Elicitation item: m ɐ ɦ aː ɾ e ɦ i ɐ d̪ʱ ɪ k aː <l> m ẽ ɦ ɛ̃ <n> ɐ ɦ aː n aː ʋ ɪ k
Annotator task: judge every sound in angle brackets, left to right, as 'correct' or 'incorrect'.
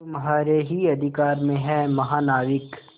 incorrect: ɾ, incorrect: m

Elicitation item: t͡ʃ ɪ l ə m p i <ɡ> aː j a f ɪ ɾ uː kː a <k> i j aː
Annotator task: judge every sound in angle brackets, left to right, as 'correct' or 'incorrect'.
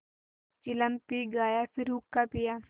correct, incorrect: p

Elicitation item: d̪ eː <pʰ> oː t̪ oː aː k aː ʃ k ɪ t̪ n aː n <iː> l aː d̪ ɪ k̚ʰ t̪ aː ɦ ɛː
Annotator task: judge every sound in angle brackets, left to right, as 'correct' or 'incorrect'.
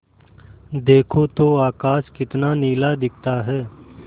incorrect: kʰ, correct

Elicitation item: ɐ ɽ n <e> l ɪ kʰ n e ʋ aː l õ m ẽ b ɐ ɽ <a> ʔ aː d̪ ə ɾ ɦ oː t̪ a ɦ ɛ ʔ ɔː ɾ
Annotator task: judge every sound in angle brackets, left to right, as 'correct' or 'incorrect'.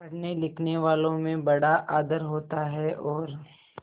correct, correct

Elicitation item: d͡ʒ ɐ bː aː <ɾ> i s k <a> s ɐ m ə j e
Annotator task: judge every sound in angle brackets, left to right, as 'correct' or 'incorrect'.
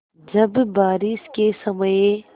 correct, incorrect: e

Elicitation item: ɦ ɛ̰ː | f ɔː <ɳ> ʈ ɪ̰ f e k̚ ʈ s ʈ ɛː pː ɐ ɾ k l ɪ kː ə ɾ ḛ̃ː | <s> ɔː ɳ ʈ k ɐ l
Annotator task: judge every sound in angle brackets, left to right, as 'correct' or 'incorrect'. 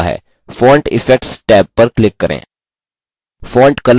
correct, incorrect: f

